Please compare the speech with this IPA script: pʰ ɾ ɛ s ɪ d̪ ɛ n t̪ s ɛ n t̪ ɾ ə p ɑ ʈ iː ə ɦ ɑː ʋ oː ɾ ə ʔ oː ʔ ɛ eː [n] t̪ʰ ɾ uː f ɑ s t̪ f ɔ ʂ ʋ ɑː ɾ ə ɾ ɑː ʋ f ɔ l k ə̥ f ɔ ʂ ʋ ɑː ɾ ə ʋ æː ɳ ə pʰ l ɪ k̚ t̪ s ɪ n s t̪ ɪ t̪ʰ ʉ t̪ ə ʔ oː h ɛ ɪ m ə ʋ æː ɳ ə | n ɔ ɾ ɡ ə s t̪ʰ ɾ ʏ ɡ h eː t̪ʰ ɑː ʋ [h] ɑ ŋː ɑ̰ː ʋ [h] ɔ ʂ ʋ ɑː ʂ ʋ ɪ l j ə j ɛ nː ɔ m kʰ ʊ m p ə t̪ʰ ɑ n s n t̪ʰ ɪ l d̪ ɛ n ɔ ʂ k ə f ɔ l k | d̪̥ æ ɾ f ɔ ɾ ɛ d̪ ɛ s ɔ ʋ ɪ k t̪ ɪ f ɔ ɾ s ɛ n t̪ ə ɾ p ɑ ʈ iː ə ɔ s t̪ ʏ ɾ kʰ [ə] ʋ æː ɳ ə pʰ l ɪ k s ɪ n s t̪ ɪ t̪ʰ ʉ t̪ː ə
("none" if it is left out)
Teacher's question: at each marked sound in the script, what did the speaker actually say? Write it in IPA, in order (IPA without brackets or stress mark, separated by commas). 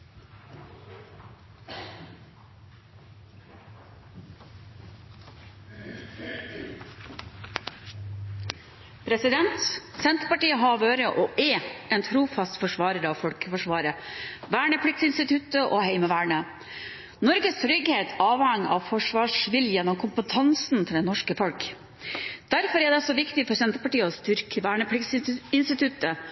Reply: n, h, f, ə